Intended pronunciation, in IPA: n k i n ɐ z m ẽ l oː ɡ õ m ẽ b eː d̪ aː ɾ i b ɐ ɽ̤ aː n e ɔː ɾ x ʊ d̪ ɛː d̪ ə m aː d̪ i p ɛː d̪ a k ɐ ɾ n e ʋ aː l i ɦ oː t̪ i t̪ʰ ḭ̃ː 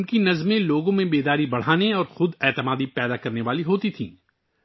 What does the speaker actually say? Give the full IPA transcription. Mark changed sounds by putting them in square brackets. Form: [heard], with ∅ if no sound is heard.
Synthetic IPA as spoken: n k i n ɐ z m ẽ l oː ɡ õ m ẽ b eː d̪ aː ɾ i b ɐ ɽ̤ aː n e ɔː ɾ x ʊ d̪ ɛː [t̪] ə m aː d̪ i p ɛː d̪ a k ɐ ɾ n e ʋ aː l i ɦ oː t̪ i t̪ʰ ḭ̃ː

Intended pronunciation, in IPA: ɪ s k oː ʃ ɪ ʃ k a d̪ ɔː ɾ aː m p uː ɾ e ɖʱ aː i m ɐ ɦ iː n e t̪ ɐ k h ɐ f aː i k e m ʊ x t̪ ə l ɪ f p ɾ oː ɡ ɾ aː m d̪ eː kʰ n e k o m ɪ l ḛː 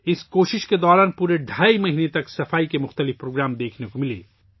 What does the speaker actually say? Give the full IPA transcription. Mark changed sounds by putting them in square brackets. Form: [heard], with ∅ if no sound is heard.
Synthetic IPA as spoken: ɪ s k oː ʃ ɪ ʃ k [e] d̪ ɔː ɾ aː [n] p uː ɾ e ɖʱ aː i m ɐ ɦ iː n e t̪ ɐ k [s] ɐ f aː i k e m ʊ x t̪ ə l ɪ f p ɾ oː ɡ ɾ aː m d̪ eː kʰ n e k o m ɪ l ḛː

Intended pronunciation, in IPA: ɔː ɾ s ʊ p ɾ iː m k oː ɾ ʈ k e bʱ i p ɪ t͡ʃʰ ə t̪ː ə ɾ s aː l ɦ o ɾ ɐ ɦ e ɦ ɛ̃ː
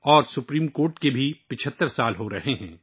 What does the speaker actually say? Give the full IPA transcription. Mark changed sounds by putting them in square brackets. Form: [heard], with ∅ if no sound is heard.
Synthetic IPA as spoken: ɔː ɾ s ʊ p ɾ iː m k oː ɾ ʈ k e bʱ i p ɪ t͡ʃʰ ə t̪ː ə ɾ s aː l ɦ o ɾ ɐ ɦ e ɦ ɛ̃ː

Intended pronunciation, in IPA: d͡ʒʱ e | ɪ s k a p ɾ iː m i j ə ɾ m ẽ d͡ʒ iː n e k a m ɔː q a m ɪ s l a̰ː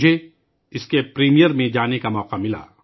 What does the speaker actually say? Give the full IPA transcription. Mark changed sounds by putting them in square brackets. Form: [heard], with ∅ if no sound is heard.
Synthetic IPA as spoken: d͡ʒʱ e | ɪ s k [e] p ɾ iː m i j ə ɾ m ẽ d͡ʒ [aː] n e k a m ɔː q a m ɪ [∅] l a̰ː

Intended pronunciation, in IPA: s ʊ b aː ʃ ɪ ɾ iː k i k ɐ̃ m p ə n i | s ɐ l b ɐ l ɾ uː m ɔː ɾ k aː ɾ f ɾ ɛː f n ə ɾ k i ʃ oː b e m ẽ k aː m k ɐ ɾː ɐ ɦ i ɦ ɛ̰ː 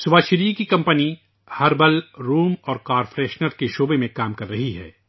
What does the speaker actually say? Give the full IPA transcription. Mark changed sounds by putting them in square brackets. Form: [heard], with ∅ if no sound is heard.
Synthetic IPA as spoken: s ʊ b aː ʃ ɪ ɾ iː k i k ɐ̃ m p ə n i | [h] ɐ [ɾ] b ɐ l ɾ uː m ɔː ɾ k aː ɾ f ɾ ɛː [ʃ] n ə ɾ k [e] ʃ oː b e m ẽ k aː m k ɐ ɾː ɐ ɦ i ɦ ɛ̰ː

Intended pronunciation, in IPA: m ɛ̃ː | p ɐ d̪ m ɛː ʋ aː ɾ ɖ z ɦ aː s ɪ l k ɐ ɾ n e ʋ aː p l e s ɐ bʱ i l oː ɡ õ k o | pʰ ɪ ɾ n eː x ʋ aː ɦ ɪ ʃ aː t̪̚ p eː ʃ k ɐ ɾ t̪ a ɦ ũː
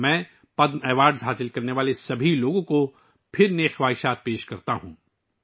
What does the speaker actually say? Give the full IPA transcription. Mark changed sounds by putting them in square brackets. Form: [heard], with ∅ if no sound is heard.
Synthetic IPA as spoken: m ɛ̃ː | p ɐ d̪ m ɛː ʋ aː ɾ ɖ z ɦ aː s ɪ l k ɐ ɾ n e ʋ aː [∅] l e s ɐ bʱ i l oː ɡ õ k o | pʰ ɪ ɾ n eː x ʋ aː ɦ ɪ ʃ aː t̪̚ p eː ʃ k ɐ ɾ t̪ a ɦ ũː

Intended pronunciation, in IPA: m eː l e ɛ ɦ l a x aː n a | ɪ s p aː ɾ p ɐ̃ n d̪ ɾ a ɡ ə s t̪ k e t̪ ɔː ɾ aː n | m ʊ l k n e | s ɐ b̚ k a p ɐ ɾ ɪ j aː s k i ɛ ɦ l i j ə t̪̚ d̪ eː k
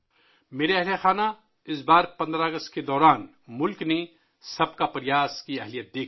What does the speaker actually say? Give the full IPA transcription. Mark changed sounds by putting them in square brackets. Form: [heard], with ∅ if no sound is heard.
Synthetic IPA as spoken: m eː [ɾ] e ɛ ɦ l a x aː n a | ɪ s [b] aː ɾ p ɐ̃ n d̪ ɾ a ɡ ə s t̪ k e [d̪] ɔː ɾ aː n | m ʊ l k n e | s ɐ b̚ k a p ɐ ɾ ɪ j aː s k i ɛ ɦ l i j ə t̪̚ d̪ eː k

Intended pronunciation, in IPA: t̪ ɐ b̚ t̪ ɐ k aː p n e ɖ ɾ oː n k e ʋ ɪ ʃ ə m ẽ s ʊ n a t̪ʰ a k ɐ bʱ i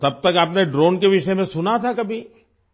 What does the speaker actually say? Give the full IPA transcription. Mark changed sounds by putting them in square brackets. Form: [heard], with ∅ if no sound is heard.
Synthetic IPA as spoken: t̪ ɐ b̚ t̪ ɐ k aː p n e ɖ ɾ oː n k e ʋ ɪ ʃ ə m ẽ s ʊ n a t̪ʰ a k ɐ bʱ i

